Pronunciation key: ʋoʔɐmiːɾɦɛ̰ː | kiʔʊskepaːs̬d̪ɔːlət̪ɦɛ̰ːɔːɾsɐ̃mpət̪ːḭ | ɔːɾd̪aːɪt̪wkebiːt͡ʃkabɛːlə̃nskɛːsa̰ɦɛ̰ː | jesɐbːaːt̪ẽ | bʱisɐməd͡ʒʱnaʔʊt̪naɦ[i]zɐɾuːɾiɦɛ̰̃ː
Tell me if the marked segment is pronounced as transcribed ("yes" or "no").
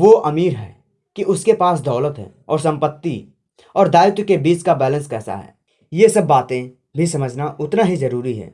yes